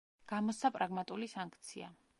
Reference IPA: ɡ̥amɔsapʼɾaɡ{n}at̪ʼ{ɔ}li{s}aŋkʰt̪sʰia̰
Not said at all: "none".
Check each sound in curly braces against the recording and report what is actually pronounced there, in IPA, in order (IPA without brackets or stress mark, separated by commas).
m, u, s